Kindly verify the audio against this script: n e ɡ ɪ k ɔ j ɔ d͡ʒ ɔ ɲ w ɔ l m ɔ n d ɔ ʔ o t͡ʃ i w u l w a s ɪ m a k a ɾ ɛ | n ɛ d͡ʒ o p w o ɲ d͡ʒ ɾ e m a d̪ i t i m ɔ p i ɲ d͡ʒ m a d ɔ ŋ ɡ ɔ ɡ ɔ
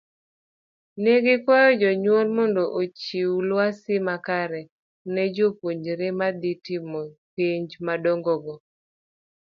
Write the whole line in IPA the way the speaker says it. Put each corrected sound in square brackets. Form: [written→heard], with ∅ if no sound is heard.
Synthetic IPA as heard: n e ɡ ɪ k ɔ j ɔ d͡ʒ ɔ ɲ w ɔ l m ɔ n d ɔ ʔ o t͡ʃ i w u l w a s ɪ m a k a ɾ ɛ | n ɛ d͡ʒ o p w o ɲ d͡ʒ ɾ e m a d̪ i t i m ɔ p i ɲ d͡ʒ m a d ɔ ŋ ɡ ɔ ɡ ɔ